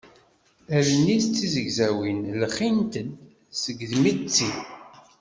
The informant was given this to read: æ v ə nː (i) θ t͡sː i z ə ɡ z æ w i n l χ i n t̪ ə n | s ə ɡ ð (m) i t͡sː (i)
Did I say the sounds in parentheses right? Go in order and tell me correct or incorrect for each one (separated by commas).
correct, correct, correct